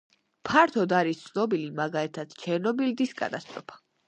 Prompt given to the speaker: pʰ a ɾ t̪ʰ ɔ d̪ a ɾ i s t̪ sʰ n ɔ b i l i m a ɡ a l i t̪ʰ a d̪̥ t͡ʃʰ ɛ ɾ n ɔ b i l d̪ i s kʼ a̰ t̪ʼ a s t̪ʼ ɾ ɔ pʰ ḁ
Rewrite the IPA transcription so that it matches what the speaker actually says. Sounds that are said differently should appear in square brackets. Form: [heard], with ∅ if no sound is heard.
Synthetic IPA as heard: pʰ a ɾ t̪ʰ ɔ d̪ a ɾ i s t̪ sʰ n ɔ b i l i m a ɡ a l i t̪ʰ a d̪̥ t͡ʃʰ ɛ ɾ n ɔ b i l d̪ i s kʼ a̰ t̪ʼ a s t̪ʼ ɾ ɔ pʰ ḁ